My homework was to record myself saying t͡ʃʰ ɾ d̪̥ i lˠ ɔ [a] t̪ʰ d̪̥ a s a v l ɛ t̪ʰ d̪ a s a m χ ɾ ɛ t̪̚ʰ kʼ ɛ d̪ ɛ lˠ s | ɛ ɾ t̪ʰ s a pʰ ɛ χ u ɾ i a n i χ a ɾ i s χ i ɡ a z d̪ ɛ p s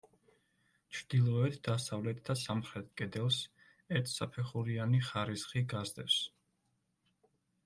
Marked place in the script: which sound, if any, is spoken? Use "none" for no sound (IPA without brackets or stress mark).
ɛ